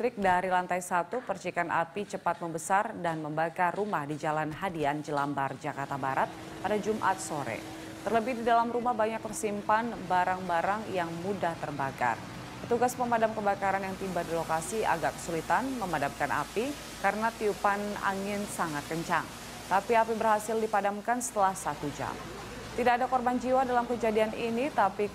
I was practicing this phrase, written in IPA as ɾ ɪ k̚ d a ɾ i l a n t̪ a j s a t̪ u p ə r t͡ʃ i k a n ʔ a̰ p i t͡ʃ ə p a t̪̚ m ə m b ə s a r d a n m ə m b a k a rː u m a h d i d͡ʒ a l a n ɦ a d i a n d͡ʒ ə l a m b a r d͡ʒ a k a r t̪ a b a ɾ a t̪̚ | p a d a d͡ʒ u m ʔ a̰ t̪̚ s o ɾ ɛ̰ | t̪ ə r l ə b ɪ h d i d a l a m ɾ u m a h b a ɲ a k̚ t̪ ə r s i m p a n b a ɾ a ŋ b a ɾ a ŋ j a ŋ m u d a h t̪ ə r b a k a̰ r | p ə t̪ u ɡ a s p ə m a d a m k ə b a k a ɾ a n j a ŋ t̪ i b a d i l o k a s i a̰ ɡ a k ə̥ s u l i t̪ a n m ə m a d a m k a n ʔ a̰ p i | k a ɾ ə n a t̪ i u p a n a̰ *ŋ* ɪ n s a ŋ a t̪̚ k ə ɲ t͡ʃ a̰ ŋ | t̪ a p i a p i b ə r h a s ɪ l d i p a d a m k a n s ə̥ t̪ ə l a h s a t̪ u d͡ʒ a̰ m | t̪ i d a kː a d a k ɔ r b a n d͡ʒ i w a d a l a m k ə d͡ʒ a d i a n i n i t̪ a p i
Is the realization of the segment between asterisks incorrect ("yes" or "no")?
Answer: no